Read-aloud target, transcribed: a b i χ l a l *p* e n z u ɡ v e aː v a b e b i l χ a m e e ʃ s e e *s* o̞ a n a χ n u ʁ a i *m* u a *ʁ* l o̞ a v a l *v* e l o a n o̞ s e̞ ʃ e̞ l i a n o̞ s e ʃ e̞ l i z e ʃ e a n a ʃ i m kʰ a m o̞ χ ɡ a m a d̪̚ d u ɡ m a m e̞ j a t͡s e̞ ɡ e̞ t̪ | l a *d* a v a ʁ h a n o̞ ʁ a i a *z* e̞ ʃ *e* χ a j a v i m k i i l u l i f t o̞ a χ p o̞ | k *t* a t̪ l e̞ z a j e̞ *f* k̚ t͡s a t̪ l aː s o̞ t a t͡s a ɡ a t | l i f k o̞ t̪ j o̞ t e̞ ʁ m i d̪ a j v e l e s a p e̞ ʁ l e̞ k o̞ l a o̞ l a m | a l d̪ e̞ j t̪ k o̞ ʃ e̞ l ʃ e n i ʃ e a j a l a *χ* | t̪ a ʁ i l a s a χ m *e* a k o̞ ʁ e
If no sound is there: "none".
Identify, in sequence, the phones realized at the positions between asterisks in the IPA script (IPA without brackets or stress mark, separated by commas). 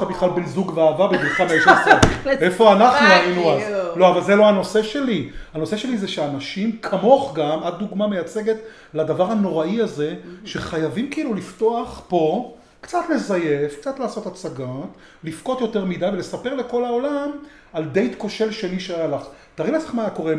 b, f, n, z, z, d, z, e, t͡s, f, χ, a